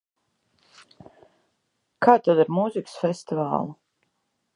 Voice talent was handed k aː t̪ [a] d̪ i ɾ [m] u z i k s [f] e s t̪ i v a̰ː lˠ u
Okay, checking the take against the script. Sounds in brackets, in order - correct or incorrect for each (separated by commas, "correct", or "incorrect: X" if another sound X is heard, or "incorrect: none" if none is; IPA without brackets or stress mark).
correct, correct, correct